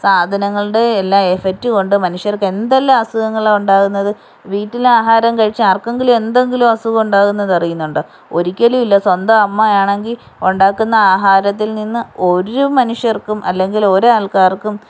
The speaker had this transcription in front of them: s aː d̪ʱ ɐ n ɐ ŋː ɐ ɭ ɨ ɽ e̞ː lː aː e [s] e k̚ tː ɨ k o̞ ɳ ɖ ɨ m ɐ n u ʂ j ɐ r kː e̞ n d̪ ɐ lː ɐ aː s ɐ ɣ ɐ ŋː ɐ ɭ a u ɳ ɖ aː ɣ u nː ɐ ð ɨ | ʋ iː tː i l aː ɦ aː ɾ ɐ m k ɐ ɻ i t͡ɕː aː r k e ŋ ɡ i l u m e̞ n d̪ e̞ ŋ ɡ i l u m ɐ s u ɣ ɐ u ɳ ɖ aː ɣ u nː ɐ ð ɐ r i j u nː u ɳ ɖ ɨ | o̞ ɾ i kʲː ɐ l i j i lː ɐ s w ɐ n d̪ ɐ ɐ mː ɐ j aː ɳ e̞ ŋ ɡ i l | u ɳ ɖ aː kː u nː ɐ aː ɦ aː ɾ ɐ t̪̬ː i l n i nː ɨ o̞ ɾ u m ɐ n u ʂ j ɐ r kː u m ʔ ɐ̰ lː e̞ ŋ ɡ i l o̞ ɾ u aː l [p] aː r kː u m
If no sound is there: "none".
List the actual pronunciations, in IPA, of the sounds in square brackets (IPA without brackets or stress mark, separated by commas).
f, k